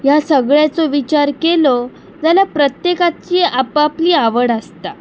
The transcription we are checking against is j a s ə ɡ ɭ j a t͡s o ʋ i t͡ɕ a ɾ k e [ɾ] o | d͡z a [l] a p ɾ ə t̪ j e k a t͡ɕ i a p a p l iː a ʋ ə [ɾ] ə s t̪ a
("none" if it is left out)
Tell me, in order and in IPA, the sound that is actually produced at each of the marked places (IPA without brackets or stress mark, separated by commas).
l, l, ɽ